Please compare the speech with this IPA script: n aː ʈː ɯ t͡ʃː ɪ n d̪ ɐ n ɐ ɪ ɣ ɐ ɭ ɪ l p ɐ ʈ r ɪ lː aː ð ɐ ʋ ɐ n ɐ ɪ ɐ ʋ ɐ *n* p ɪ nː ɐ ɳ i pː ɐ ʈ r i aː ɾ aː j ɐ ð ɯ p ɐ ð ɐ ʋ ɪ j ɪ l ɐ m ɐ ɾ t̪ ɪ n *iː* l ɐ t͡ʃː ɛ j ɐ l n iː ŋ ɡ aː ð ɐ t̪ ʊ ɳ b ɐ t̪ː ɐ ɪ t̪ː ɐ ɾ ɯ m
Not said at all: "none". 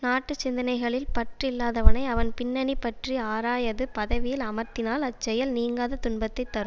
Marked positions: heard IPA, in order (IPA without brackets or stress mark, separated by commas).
n, aː